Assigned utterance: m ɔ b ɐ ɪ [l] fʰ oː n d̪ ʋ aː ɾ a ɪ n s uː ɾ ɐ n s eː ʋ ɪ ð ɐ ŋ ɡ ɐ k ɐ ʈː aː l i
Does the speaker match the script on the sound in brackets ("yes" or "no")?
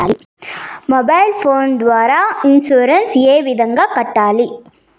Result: yes